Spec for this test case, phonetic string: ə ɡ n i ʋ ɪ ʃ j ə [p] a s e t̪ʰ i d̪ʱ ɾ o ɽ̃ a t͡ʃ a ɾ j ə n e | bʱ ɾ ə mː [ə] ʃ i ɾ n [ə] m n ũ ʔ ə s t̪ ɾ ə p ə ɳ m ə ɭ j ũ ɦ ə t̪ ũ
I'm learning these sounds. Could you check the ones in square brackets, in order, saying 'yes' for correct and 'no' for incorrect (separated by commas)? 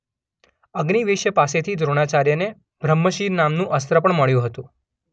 yes, yes, no